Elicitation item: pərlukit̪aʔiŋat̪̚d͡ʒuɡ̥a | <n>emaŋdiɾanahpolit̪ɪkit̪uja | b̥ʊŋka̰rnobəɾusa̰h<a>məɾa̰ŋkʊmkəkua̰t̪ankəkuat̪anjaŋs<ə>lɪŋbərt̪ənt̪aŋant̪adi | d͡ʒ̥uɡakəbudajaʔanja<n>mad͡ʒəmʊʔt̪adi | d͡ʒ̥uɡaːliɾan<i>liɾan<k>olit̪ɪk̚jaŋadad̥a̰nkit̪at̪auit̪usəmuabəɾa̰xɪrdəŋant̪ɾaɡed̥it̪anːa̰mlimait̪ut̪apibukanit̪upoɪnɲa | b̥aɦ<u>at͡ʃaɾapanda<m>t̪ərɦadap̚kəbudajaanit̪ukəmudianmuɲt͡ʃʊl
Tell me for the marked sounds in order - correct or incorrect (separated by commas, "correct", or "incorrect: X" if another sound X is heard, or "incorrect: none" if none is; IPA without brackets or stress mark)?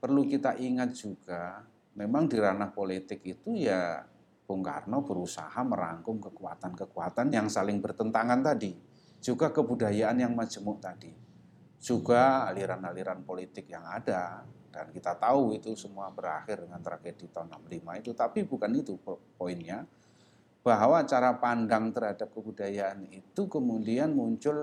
incorrect: m, correct, incorrect: a, incorrect: ŋ, incorrect: a, incorrect: p, incorrect: w, incorrect: ŋ